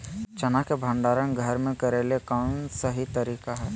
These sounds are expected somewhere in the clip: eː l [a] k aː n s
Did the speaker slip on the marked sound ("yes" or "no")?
yes